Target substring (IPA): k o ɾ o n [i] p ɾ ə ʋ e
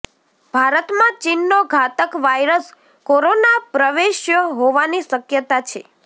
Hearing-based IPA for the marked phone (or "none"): a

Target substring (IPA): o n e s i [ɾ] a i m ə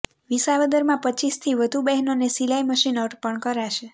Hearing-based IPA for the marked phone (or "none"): l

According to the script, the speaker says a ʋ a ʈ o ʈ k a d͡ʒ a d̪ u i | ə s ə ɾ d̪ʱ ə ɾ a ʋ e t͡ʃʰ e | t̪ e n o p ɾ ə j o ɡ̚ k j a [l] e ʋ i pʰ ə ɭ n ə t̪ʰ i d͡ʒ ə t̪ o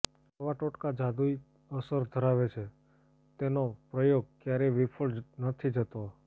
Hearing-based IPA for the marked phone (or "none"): ɾ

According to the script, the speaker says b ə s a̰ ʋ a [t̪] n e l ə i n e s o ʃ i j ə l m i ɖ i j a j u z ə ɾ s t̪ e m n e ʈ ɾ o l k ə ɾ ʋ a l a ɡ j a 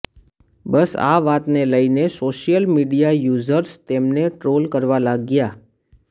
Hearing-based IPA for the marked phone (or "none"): t̪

